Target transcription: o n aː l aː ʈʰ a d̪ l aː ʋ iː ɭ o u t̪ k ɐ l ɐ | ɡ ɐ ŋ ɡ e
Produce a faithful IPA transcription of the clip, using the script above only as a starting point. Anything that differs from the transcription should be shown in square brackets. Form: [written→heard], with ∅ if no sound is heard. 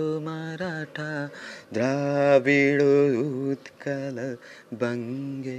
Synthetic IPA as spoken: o [n→m] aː [l→ɾ] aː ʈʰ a d̪ [l→ɾ] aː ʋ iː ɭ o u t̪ k ɐ l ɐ | [ɡ→b] ɐ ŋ ɡ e